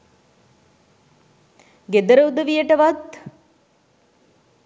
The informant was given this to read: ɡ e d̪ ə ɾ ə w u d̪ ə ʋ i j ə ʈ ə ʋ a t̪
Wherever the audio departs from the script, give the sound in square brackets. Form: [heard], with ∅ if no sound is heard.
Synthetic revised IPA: ɡ e d̪ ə ɾ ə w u d̪ ə ʋ i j ə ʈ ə ʋ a t̪